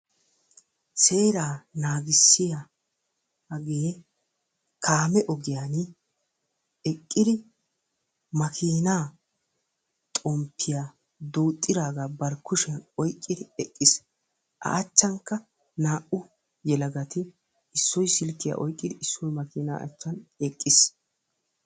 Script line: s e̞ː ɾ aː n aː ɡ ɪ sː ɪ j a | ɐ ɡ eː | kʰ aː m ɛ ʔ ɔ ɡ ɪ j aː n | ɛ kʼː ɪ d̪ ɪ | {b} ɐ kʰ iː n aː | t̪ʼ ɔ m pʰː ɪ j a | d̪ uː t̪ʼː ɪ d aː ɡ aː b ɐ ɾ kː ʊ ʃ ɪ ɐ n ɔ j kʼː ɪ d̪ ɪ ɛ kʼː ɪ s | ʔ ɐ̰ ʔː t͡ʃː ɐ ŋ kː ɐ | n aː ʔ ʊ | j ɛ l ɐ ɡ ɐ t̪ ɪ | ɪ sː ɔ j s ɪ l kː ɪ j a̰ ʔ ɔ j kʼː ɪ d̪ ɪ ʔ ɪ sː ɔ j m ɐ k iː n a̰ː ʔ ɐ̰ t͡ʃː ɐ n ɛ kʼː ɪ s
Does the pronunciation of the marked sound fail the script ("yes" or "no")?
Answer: yes